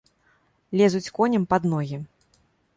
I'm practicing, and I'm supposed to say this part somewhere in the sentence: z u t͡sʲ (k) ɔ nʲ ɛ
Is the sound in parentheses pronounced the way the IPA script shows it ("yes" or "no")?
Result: yes